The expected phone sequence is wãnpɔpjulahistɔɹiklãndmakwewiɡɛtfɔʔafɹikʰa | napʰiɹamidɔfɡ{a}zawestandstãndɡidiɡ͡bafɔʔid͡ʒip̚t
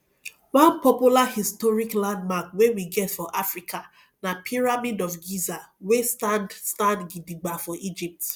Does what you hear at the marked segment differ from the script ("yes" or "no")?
yes